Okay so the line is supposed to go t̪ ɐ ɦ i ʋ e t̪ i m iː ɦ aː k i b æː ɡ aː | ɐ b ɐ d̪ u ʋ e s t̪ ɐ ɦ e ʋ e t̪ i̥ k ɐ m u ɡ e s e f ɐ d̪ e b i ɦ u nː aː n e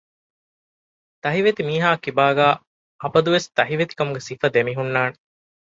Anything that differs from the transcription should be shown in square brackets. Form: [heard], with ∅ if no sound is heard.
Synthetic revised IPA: t̪ ɐ ɦ i ʋ e t̪ i m iː ɦ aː k i b [aː] ɡ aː | ɐ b ɐ d̪ u ʋ e s t̪ ɐ ɦ [i] ʋ e t̪ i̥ k ɐ m u ɡ e s [i] f ɐ d̪ e [m] i ɦ u nː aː n e